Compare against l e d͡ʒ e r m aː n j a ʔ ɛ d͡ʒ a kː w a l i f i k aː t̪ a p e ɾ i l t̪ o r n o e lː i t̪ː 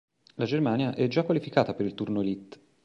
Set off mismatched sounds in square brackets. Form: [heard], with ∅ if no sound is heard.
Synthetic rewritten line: l [a] d͡ʒ e r m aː n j a ʔ ɛ d͡ʒ a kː w a l i f i k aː t̪ a p e ɾ i l t̪ [u] r n o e [l] i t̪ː